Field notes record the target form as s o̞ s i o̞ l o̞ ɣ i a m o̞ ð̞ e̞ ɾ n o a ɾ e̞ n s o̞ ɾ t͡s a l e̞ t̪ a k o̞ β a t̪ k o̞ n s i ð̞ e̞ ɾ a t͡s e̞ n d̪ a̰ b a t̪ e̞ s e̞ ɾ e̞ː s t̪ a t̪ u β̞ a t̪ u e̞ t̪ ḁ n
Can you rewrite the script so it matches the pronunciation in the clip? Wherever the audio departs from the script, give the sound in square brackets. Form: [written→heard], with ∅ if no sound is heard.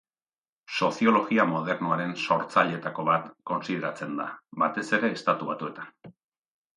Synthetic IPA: s o̞ s i o̞ l o̞ ɣ i a m o̞ ð̞ e̞ ɾ n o a ɾ e̞ n s o̞ ɾ t͡s a [l→ʎ] e̞ t̪ a k o̞ β a t̪ k o̞ n s i ð̞ e̞ ɾ a t͡s e̞ n d̪ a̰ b a t̪ e̞ s e̞ ɾ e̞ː s t̪ a t̪ u β̞ a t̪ u e̞ t̪ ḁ n